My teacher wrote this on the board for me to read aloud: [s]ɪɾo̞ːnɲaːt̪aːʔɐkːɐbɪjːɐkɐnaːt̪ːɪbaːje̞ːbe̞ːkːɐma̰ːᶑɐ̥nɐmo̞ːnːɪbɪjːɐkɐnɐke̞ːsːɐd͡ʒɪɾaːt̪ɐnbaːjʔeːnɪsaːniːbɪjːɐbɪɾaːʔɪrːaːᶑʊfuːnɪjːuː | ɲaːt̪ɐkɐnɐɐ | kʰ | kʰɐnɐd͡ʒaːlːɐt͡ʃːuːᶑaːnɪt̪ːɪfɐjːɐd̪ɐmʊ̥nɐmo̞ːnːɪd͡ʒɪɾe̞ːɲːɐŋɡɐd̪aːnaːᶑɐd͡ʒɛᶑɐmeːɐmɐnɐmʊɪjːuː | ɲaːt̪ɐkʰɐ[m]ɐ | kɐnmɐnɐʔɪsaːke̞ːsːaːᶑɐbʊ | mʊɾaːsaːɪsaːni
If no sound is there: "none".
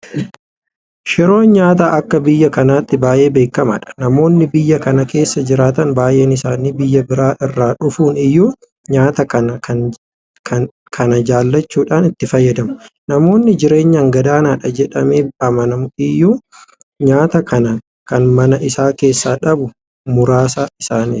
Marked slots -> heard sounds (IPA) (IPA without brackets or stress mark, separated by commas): ʃ, n